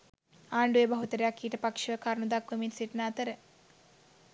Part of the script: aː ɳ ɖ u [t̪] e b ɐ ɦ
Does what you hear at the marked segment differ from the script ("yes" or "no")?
yes